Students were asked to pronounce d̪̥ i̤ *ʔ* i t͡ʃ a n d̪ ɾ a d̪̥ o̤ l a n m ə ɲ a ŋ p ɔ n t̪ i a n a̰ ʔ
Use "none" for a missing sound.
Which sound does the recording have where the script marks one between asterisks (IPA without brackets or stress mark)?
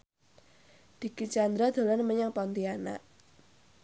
k